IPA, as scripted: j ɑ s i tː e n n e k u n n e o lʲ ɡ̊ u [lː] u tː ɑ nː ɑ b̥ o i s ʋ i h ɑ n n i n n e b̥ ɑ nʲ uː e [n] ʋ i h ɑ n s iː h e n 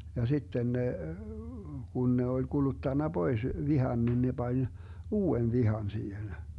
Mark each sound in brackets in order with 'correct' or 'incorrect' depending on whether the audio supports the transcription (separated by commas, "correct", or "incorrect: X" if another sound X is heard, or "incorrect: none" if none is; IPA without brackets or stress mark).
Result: incorrect: l, correct